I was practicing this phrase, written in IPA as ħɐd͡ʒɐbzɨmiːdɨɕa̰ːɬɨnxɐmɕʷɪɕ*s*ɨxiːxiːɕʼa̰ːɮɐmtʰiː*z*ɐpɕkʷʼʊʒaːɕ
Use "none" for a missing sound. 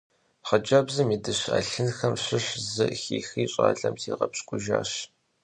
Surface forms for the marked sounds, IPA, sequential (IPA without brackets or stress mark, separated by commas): z, ʁ